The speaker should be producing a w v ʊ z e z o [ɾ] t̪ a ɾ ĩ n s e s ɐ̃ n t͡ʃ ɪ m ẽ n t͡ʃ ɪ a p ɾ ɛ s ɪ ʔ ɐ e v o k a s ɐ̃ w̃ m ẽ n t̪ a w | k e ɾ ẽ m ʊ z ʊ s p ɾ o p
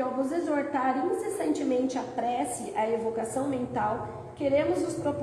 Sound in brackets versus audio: correct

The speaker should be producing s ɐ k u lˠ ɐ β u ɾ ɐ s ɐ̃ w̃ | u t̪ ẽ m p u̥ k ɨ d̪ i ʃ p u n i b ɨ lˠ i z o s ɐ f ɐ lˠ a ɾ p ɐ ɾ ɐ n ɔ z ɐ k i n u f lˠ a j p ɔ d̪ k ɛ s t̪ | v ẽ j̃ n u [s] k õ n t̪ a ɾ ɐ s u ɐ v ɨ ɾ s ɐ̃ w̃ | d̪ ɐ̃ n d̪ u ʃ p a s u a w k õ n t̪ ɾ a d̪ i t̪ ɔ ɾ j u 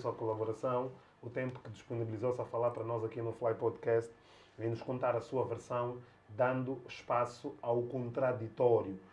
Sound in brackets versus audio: incorrect: ʃ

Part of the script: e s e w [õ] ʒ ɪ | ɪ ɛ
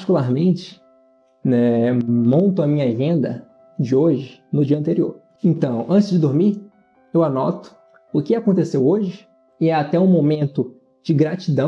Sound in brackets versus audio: incorrect: o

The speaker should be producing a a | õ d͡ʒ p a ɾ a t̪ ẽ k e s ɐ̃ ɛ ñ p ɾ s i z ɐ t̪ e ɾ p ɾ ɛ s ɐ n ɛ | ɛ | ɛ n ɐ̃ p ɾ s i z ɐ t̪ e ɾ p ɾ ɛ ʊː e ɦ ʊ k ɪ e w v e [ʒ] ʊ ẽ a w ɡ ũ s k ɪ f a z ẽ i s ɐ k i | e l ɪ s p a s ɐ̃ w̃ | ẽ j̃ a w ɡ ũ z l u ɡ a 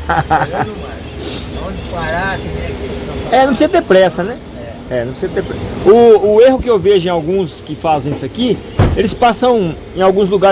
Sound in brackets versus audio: correct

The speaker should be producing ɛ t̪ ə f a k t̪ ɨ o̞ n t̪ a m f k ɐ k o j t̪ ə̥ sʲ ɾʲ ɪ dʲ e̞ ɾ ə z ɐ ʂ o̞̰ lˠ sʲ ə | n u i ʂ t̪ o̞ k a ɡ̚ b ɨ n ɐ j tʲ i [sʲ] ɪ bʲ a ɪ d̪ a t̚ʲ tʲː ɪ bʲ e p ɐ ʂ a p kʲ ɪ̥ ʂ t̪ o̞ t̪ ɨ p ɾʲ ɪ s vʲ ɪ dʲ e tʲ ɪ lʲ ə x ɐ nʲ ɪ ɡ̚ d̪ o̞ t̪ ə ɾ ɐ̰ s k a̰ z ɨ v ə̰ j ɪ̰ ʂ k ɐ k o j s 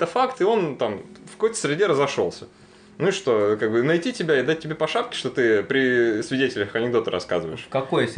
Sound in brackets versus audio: incorrect: tʲ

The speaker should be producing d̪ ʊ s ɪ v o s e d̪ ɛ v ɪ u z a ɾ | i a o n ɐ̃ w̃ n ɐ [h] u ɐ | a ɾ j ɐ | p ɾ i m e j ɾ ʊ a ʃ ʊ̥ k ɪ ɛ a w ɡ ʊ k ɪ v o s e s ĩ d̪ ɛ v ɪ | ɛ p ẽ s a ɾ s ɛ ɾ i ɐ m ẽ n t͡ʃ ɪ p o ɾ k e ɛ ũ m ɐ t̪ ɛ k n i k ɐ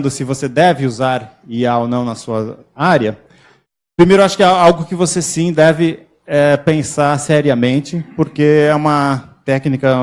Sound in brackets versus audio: incorrect: s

